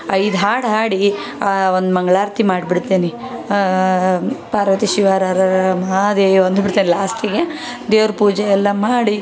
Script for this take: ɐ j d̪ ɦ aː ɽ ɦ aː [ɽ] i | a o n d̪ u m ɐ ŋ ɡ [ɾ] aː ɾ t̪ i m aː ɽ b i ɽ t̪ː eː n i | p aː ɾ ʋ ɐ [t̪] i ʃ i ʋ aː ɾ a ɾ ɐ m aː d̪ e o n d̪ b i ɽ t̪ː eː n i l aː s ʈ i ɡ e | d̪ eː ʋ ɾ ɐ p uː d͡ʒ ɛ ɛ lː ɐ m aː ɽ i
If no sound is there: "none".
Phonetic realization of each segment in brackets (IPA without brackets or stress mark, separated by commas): ɽ, ɭ, t̪